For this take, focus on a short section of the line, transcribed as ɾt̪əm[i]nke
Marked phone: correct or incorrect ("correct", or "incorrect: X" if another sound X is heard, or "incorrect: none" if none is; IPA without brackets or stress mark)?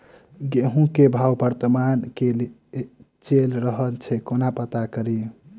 incorrect: a